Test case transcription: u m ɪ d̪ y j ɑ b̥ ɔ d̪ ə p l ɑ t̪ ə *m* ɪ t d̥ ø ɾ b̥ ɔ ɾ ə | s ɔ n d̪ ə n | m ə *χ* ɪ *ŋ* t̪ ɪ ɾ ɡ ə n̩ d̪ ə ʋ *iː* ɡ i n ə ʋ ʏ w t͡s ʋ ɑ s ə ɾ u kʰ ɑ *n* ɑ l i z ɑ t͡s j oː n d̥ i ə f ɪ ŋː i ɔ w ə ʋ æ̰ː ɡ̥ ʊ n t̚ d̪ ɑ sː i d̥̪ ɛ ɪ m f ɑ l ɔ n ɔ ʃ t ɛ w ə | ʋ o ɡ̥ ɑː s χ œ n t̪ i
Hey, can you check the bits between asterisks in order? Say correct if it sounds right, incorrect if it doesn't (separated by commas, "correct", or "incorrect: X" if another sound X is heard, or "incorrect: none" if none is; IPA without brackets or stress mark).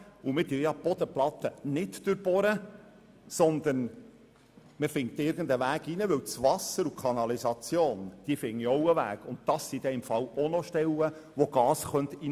incorrect: n, incorrect: f, correct, incorrect: æː, correct